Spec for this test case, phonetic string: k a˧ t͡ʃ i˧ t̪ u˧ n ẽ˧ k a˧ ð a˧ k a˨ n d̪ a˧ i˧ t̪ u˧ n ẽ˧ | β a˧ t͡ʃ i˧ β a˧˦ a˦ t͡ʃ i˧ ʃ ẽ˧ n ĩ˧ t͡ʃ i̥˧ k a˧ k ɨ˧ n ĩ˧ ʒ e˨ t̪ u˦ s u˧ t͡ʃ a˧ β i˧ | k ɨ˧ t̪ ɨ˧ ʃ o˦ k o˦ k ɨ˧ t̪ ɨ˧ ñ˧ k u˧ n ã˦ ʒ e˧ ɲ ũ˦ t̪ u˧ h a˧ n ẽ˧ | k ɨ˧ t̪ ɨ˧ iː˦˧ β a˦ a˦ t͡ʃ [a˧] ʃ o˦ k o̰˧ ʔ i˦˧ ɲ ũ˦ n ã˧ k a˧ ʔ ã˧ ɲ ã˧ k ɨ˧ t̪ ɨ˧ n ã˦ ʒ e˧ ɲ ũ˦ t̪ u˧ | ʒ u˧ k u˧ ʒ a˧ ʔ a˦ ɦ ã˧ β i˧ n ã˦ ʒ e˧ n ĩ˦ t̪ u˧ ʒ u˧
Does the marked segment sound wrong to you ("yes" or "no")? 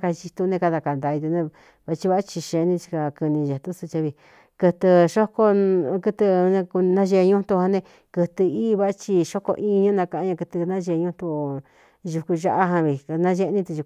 yes